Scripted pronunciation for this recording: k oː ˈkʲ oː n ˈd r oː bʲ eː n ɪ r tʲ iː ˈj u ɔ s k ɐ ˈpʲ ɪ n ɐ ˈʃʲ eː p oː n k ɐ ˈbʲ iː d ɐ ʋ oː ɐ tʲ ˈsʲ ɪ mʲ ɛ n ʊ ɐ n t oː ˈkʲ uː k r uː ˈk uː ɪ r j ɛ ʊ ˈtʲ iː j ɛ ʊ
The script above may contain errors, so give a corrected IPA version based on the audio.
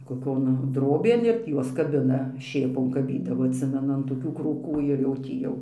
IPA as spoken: k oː ˈkʲ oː n ˈd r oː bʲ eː n ɪ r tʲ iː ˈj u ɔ s k ɐ ˈbʲ ɪ n ɐ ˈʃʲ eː p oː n k ɐ ˈbʲ iː d ɐ ʋ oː ɐ tʲ ˈsʲ ɪ mʲ ɛ n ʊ ɐ n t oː ˈkʲ uː k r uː ˈk uː ɪ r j ɛ ʊ ˈtʲ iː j ɛ ʊ